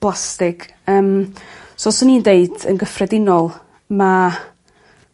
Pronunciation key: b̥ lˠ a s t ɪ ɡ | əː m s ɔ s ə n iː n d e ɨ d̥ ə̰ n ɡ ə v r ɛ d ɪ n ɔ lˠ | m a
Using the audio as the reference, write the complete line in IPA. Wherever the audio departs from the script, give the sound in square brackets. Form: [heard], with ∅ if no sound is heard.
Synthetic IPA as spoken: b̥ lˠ a s t ɪ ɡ | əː m s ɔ s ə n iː n d e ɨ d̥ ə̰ n ɡ ə [f] r ɛ d ɪ n ɔ lˠ | m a